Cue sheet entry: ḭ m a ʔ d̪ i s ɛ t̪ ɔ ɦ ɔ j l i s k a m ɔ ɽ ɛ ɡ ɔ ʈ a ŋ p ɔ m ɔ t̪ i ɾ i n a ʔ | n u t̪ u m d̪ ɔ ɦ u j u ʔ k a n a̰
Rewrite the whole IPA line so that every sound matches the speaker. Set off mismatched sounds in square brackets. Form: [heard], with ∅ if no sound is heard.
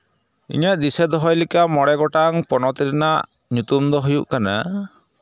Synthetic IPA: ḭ [ɲ] a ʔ d̪ i s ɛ [d̪] ɔ ɦ ɔ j l i [∅] k a m ɔ ɽ ɛ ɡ ɔ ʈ a ŋ p ɔ [n] ɔ t̪ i ɾ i n a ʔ | [ɲ] u t̪ u m d̪ ɔ ɦ u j u ʔ k a n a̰